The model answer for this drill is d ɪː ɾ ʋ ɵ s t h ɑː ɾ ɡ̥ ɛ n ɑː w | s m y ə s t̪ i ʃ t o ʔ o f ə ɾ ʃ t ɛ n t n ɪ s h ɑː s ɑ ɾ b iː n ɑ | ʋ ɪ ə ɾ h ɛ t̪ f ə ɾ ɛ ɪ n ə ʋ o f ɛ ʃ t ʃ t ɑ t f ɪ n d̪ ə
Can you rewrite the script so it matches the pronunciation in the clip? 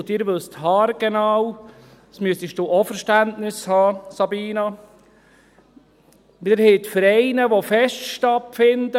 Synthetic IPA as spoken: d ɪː ɾ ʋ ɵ s t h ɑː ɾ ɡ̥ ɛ n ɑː w | s m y ə s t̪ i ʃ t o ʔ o f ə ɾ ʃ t æ n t n ɪ s h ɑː s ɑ b iː n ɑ | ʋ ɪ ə ɾ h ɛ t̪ f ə ɾ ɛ ɪ n ə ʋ o f ɛ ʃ t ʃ t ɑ t f ɪ n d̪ ə